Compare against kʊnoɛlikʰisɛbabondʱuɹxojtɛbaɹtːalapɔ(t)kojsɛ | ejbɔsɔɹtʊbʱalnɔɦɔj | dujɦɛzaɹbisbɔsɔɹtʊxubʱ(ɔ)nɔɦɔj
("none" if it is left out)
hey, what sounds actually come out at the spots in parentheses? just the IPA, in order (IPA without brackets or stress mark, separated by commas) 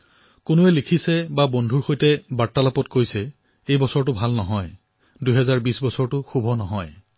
t, ɔ